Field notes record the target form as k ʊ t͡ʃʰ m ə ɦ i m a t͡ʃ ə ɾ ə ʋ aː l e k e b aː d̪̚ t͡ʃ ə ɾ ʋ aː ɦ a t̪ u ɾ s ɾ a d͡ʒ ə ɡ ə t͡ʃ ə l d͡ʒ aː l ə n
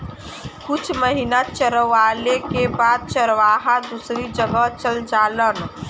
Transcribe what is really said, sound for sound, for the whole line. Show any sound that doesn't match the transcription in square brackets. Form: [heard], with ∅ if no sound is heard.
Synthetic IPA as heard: k ʊ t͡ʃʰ m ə ɦ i [n] a t͡ʃ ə ɾ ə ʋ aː l e k e b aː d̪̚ t͡ʃ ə ɾ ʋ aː ɦ a [d̪] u [∅] s ɾ [i] d͡ʒ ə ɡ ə t͡ʃ ə l d͡ʒ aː l ə n